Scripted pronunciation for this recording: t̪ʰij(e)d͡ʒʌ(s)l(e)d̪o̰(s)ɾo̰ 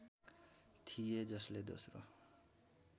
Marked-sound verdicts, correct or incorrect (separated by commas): correct, correct, correct, correct